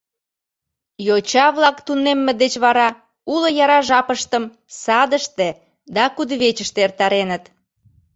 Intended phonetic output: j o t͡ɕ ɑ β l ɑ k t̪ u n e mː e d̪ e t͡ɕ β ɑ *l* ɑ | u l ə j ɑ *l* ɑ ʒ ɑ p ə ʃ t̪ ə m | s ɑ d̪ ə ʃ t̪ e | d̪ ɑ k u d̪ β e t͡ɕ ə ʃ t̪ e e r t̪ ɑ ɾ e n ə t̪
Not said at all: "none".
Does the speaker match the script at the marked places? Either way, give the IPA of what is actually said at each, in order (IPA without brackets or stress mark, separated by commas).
ɾ, ɾ